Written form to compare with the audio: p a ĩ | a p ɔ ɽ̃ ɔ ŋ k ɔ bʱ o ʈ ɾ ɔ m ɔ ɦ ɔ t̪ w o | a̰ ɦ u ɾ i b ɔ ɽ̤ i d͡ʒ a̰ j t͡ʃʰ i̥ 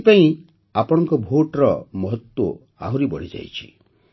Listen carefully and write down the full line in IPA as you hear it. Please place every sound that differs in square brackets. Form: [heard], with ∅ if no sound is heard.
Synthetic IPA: p a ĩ | a p ɔ ɽ̃ ɔ ŋ k ɔ bʱ o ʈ ɾ ɔ m ɔ ɦ ɔ t̪ w o | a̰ ɦ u ɾ i b ɔ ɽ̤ i d͡ʒ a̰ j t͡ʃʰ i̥

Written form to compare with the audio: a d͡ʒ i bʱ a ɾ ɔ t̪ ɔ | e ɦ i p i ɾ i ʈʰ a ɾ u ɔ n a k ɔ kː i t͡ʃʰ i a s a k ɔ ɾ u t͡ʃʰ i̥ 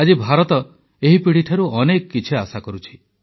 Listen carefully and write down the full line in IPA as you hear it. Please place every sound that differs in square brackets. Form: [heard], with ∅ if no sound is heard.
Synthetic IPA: a d͡ʒ i bʱ a ɾ ɔ t̪ ɔ | e ɦ i p i [ɽ] i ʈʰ a ɾ u ɔ n [e] k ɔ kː i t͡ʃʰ i a s a k ɔ ɾ u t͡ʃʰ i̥

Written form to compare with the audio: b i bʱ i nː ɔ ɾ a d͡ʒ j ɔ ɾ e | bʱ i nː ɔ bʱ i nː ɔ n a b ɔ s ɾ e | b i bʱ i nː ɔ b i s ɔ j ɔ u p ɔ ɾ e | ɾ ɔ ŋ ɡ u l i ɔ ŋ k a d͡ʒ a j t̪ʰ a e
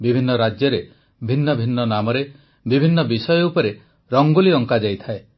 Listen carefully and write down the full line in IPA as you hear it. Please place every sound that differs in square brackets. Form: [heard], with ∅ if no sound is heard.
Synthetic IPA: b i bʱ i nː ɔ ɾ a d͡ʒ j ɔ ɾ e | bʱ i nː ɔ bʱ i nː ɔ n a [m] ɔ [∅] ɾ e | b i bʱ i nː ɔ b i s ɔ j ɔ u p ɔ ɾ e | ɾ ɔ ŋ ɡ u l i ɔ ŋ k a d͡ʒ a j t̪ʰ a e

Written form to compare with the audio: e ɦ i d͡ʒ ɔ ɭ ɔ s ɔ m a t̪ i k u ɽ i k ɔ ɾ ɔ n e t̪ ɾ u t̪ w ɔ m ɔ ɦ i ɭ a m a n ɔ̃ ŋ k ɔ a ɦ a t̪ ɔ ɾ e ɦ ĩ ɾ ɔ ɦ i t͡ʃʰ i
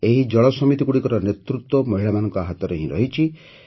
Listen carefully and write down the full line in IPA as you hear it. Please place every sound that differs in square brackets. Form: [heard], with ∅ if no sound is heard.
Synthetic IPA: e ɦ i d͡ʒ ɔ ɭ ɔ s ɔ m [i] t̪ i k u ɽ i k ɔ ɾ ɔ n e t̪ ɾ u t̪ w ɔ m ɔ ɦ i ɭ a m a n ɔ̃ ŋ k ɔ a ɦ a t̪ ɔ ɾ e ɦ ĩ ɾ ɔ ɦ i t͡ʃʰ i

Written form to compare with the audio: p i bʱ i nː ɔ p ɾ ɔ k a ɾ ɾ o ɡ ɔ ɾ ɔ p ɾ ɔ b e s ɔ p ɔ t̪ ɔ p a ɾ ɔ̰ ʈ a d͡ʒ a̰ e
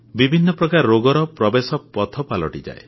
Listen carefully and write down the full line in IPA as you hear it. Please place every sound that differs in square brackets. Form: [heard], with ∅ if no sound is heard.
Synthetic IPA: [b] i bʱ i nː ɔ p ɾ ɔ k a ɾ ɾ o ɡ ɔ ɾ ɔ p ɾ ɔ b e s ɔ p ɔ [t̪ʰ] ɔ p a [l] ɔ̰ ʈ [i] d͡ʒ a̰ e

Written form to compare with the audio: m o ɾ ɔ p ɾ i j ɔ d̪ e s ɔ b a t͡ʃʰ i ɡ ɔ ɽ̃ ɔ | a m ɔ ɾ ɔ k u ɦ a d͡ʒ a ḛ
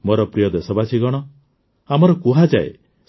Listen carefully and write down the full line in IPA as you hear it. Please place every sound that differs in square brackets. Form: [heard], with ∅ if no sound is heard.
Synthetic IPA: m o ɾ ɔ p ɾ i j ɔ d̪ e s ɔ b a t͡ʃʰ i ɡ ɔ ɽ̃ ɔ | a m ɔ ɾ ɔ k u ɦ a d͡ʒ a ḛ

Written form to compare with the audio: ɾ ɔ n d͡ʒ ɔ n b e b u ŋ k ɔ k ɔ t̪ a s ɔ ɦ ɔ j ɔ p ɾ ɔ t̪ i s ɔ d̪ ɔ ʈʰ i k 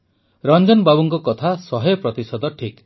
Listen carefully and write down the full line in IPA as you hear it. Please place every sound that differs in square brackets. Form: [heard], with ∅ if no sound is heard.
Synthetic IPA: ɾ ɔ n d͡ʒ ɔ n b [a] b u ŋ k ɔ k ɔ [t̪ʰ] a s ɔ ɦ ɔ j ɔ p ɾ ɔ t̪ i s ɔ d̪ ɔ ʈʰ i k

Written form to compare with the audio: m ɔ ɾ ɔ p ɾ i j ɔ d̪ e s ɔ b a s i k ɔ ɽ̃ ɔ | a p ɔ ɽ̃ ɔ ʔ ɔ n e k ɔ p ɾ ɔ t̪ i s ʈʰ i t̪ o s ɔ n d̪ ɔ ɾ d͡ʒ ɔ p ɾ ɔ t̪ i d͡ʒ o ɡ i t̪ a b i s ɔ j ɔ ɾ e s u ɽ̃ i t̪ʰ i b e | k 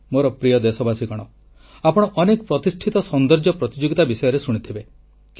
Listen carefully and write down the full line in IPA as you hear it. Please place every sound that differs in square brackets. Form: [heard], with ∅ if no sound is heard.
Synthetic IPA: m [o] ɾ ɔ p ɾ i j ɔ d̪ e s ɔ b a s i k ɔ ɽ̃ ɔ | a p ɔ ɽ̃ ɔ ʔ ɔ n e k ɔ p ɾ ɔ t̪ i s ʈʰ i t̪ [ɔ] s ɔ n d̪ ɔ ɾ d͡ʒ ɔ p ɾ ɔ t̪ i d͡ʒ o ɡ i t̪ a b i s ɔ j ɔ ɾ e s u ɽ̃ i t̪ʰ i b e | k

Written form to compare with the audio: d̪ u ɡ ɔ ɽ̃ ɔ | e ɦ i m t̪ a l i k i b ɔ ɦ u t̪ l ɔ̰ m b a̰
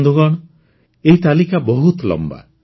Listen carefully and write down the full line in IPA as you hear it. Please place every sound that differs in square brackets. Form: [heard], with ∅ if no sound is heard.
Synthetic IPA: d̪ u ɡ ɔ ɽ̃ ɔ | e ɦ i [∅] t̪ a l i k [a] b ɔ ɦ u t̪ l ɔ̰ m b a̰

